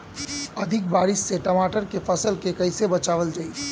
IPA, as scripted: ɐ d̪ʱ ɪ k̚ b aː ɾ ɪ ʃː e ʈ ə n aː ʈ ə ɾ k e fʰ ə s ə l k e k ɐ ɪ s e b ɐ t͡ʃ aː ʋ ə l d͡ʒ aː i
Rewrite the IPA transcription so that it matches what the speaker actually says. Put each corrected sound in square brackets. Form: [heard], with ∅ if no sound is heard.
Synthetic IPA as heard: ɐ d̪ʱ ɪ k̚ b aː ɾ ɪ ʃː e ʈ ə [m] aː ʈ ə ɾ k e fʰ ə s ə l k e k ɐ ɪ s e b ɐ t͡ʃ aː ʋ ə l d͡ʒ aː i